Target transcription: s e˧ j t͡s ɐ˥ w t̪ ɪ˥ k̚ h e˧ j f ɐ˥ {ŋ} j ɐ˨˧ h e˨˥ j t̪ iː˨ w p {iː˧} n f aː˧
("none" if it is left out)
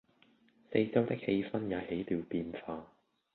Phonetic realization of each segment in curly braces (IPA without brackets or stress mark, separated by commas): n, iː˧